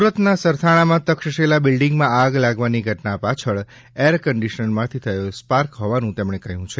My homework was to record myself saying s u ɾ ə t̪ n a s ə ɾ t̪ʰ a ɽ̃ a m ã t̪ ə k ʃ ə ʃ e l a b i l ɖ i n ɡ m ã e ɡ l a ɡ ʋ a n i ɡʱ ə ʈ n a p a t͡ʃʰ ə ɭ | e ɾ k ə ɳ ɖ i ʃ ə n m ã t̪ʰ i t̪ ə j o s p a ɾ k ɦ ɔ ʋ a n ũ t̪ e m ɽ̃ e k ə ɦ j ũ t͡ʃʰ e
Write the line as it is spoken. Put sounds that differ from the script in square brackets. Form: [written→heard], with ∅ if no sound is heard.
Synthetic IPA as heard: s u ɾ ə t̪ n a s ə ɾ t̪ʰ a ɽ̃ a m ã t̪ ə k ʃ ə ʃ e l a b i l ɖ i [n→ŋ] ɡ m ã [e→a] ɡ l a ɡ ʋ a n i ɡʱ ə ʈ n a p a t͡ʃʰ ə ɭ | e ɾ k ə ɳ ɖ i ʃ ə n m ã t̪ʰ i [t̪→t̪ʰ] ə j o s p a ɾ k ɦ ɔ ʋ a n ũ t̪ e m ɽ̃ e k ə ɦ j ũ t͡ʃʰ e